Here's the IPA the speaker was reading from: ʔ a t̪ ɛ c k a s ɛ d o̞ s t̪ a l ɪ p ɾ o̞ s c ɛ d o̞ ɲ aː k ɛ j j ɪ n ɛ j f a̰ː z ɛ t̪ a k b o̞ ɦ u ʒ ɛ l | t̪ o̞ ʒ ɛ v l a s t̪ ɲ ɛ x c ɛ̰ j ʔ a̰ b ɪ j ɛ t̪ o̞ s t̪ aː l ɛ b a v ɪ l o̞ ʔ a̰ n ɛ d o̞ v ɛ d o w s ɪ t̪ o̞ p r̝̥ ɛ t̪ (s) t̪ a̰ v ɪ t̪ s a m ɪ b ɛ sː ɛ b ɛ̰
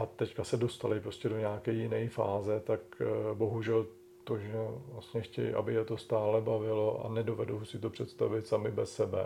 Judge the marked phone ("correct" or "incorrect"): correct